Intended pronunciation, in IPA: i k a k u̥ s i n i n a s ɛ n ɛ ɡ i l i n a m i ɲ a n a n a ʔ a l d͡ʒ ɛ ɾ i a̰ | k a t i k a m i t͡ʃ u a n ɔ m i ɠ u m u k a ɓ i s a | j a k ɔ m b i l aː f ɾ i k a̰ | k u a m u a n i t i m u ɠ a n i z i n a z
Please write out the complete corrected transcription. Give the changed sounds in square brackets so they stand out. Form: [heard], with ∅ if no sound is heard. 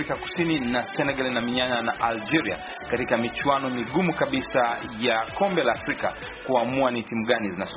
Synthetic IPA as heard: i k a k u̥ s i n i n a s ɛ n ɛ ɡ [a] l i n a m i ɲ a n a n a ʔ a l d͡ʒ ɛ ɾ i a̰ | k a t i k a m i t͡ʃ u a n ɔ m i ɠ u m u k a ɓ i s a | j a k ɔ m b [ɛ] l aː f ɾ i k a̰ | k u a m u a n i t i m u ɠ a n i z i n a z